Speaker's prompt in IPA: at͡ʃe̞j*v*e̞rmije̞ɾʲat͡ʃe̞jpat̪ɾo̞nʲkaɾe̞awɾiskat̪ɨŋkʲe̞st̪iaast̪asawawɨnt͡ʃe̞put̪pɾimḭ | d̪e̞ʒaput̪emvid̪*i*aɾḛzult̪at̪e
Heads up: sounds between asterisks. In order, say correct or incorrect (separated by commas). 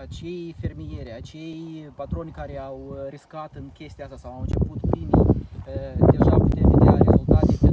incorrect, incorrect